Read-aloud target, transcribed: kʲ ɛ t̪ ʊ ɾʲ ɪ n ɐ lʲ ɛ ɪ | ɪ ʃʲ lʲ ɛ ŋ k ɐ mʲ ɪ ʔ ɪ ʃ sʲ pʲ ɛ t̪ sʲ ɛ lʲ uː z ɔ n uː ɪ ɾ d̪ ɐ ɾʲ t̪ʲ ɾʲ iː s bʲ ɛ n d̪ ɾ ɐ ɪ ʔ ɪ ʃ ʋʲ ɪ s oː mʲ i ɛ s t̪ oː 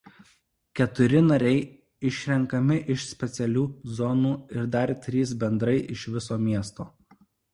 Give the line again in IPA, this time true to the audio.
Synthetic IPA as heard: kʲ ɛ t̪ ʊ ɾʲ ɪ n ɐ ɾʲ ɛ ɪ | ɪ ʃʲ ɾʲ ɛ ŋ k ɐ mʲ ɪ ʔ ɪ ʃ sʲ pʲ ɛ t̪ sʲ ɛ lʲ uː z ɔ n uː ɪ ɾ d̪ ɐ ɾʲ t̪ʲ ɾʲ iː s bʲ ɛ n d̪ ɾ ɐ ɪ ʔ ɪ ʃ ʋʲ ɪ s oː mʲ i ɛ s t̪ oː

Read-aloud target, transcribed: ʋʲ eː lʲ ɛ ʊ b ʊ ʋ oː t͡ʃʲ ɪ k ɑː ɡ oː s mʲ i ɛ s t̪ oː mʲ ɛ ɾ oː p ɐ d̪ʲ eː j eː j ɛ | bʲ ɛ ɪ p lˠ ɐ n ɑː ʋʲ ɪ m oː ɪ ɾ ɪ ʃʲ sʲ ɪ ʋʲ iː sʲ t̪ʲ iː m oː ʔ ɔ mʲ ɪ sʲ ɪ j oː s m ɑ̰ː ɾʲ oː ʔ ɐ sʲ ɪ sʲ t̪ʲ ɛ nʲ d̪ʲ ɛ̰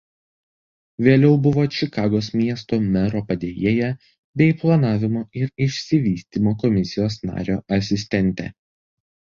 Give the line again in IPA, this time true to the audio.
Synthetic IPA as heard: ʋʲ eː lʲ ɛ ʊ b ʊ ʋ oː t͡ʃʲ ɪ k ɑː ɡ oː s mʲ i ɛ s t̪ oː mʲ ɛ ɾ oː p ɐ d̪ʲ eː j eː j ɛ | bʲ ɛ ɪ p lˠ ɐ n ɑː ʋʲ ɪ m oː ɪ ɾ ɪ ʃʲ sʲ ɪ ʋʲ iː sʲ t̪ʲ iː m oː k ɔ mʲ ɪ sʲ ɪ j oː s n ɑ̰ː ɾʲ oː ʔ ɐ sʲ ɪ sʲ t̪ʲ ɛ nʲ t̪ʲ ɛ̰

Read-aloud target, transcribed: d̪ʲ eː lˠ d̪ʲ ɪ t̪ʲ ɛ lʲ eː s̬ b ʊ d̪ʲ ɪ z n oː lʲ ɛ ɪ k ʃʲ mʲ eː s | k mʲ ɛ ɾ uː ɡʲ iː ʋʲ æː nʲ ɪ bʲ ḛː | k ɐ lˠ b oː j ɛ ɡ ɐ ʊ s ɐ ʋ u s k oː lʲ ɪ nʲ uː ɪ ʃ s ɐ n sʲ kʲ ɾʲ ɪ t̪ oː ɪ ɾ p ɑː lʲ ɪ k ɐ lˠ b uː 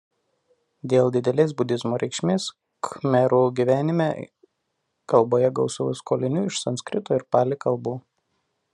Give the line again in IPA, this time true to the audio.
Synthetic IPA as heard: d̪ʲ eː lˠ d̪ʲ ɪ d̪ʲ ɛ lʲ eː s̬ b ʊ d̪ʲ ɪ z m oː ɾʲ ɛ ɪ k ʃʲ mʲ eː s | k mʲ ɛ ɾ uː ɡʲ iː ʋʲ æː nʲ ɪ mʲ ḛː | k ɐ lˠ b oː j ɛ ɡ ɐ ʊ s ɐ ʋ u s k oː lʲ ɪ nʲ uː ɪ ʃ s ɐ n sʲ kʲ ɾʲ ɪ t̪ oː ɪ ɾ p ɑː lʲ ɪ k ɐ lˠ b uː

